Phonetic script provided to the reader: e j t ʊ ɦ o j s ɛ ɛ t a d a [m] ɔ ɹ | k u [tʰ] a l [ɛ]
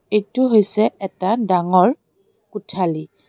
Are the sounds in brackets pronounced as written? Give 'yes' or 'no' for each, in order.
no, yes, no

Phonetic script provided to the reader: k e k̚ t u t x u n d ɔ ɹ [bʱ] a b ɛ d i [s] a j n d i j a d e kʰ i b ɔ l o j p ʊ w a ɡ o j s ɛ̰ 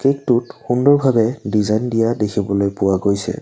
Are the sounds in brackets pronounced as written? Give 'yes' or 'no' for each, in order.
yes, no

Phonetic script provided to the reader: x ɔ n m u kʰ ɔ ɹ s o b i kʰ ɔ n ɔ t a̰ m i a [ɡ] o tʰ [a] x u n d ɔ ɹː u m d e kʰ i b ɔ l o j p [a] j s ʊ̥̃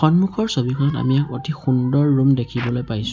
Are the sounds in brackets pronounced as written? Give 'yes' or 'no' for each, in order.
no, no, yes

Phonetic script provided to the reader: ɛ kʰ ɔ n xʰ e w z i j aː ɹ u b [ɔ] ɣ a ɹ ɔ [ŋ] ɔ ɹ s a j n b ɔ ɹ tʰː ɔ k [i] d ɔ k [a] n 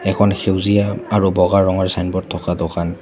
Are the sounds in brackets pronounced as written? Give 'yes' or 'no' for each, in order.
yes, yes, no, yes

